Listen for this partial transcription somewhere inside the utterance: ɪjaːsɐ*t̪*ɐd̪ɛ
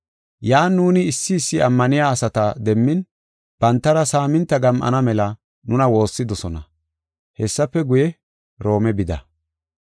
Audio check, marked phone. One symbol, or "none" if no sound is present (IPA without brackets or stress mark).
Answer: t̪